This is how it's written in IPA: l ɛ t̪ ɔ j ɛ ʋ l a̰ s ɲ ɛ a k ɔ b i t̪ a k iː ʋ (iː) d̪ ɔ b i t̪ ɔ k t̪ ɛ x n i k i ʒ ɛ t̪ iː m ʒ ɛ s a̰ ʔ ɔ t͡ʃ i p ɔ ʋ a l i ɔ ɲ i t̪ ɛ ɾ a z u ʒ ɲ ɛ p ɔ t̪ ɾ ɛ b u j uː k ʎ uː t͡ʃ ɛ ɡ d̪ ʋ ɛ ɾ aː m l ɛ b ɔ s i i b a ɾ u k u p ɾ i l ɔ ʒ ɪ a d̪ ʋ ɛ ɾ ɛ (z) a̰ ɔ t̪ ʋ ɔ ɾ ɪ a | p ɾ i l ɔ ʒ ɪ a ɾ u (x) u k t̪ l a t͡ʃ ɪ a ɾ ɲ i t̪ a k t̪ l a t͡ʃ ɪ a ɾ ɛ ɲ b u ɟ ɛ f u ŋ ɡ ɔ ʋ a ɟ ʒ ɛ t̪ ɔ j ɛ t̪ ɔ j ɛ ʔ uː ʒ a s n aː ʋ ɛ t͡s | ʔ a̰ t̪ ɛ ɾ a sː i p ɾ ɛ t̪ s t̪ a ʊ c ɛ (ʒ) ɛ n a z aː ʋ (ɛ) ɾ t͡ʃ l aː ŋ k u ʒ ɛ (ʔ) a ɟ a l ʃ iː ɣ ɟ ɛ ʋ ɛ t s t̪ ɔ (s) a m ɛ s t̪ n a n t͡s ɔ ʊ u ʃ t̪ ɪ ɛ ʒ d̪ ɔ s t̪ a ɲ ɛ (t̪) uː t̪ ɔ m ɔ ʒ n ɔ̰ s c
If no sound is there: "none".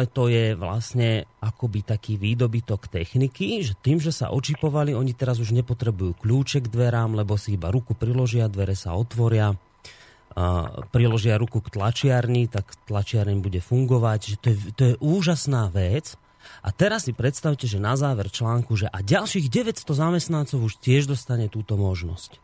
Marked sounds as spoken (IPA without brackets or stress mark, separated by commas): iː, s, k, ʒ, ɛ, ʔ, z, t̪